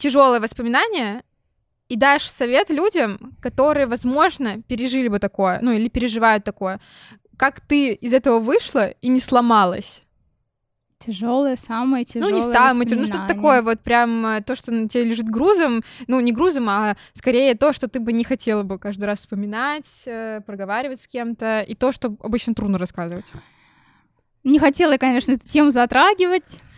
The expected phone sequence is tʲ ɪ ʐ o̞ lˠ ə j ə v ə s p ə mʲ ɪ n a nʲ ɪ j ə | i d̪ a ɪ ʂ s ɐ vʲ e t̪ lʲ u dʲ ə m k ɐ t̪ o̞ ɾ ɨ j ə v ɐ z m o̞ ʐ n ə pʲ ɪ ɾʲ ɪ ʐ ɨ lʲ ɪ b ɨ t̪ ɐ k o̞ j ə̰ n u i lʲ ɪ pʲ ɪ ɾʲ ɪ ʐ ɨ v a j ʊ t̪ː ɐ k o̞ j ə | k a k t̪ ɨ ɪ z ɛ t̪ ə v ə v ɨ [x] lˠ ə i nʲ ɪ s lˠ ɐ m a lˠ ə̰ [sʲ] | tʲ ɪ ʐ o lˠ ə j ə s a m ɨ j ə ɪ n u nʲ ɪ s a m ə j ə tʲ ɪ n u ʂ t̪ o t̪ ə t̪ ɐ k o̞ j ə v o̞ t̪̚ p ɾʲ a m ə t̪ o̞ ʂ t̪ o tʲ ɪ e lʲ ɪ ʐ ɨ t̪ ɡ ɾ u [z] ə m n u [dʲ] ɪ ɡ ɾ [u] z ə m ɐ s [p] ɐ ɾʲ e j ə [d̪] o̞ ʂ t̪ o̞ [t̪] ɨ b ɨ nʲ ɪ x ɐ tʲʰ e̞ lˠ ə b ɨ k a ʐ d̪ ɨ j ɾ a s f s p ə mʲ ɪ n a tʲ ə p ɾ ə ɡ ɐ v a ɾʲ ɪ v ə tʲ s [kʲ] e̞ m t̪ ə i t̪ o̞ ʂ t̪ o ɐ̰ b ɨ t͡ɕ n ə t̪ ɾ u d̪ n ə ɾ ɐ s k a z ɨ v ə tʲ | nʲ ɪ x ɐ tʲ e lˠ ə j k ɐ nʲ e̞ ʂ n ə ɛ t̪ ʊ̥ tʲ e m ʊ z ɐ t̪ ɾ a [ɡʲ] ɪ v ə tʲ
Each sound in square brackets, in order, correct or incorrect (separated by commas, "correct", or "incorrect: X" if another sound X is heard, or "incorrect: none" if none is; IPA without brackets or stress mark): incorrect: ʂ, correct, correct, incorrect: nʲ, correct, incorrect: k, incorrect: t̪, correct, correct, correct